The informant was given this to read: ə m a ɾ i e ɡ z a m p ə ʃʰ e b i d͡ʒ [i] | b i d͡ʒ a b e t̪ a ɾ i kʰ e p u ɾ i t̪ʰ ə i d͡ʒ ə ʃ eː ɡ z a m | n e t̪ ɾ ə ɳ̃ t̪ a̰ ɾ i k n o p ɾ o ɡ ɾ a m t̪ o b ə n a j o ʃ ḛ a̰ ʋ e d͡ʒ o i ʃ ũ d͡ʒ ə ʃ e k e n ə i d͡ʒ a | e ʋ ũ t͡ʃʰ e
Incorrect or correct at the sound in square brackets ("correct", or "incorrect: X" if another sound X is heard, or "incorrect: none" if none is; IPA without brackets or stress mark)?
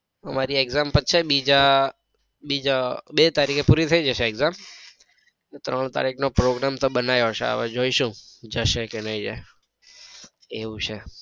incorrect: a